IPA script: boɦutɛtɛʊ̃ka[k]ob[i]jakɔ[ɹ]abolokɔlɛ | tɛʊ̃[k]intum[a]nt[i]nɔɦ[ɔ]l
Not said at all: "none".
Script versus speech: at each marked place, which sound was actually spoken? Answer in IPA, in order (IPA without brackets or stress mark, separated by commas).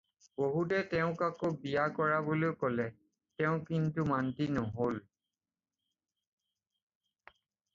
k, i, ɹ, k, a, i, o